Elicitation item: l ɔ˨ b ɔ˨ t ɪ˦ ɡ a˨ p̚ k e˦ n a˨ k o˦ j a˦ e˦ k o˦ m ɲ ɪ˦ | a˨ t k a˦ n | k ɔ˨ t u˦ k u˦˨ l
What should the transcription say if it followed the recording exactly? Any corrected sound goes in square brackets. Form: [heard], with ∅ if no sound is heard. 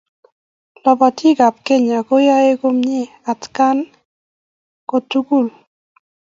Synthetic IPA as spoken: l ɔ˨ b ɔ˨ t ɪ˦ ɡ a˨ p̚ k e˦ [ɲ] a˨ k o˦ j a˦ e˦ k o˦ m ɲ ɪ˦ | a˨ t k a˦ n | k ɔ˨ t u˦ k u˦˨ l